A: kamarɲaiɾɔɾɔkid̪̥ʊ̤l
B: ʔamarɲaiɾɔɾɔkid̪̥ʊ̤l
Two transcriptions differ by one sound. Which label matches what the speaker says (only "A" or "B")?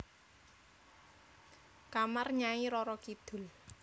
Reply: A